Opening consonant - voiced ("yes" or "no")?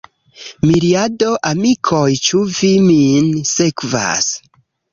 yes